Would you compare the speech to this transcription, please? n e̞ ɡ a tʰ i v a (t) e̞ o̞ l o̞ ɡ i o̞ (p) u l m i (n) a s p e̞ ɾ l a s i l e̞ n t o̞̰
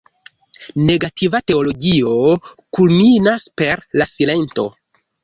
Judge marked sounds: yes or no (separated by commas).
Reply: yes, no, yes